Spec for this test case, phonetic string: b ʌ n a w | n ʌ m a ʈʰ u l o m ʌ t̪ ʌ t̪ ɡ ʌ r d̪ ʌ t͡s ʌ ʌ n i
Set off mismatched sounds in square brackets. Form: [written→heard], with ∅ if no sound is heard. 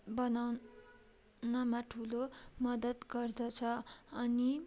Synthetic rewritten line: b ʌ n a w | n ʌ m a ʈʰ u l o m ʌ [t̪→d̪] ʌ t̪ ɡ ʌ r d̪ ʌ [t͡s→t͡sʰ] ʌ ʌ n i